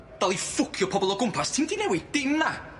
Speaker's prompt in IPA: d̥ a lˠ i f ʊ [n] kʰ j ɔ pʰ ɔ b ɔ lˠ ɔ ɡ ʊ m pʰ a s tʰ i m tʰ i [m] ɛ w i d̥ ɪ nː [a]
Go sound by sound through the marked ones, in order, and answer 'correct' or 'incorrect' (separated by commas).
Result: incorrect, incorrect, correct